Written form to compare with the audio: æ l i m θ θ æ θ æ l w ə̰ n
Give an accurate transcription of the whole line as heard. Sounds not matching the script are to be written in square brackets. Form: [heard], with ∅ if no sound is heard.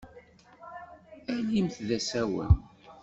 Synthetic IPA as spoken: æ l i m θ [ð] æ [s] æ [∅] w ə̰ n